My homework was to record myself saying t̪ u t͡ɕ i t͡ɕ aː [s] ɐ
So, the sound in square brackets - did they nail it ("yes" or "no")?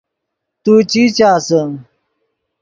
yes